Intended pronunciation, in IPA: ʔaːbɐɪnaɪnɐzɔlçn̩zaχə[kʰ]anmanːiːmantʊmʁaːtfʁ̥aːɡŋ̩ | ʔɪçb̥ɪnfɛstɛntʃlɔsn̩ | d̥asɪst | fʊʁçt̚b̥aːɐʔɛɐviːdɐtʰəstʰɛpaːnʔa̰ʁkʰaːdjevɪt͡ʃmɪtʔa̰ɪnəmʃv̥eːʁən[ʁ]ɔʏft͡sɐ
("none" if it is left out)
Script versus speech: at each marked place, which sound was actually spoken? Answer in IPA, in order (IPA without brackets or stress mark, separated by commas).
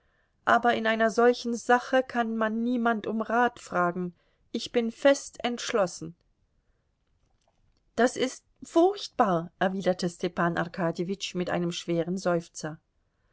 kʰ, z